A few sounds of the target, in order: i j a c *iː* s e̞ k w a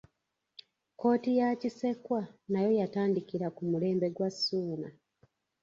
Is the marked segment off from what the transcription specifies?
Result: yes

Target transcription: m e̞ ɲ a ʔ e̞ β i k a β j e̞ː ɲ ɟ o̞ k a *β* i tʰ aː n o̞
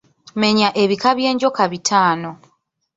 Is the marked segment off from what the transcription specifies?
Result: no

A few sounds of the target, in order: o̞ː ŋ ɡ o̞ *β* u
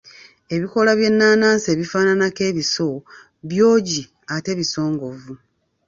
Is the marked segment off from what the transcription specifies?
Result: yes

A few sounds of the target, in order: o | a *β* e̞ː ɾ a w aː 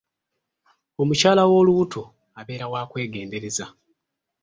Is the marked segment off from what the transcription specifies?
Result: no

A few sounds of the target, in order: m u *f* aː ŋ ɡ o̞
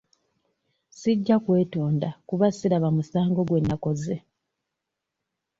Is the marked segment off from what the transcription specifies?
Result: yes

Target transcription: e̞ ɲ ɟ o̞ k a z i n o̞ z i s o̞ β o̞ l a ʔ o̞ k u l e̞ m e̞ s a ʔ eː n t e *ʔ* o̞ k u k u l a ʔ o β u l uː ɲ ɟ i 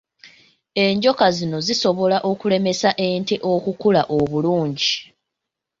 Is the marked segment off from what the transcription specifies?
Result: no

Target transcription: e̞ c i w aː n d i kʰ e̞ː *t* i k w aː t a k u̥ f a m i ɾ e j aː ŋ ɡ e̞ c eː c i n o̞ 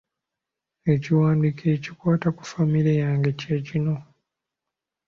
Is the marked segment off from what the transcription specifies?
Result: yes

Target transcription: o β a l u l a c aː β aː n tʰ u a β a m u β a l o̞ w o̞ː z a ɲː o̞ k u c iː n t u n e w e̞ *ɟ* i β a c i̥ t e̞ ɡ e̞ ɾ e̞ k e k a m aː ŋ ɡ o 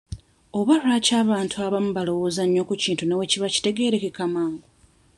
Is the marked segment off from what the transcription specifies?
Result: yes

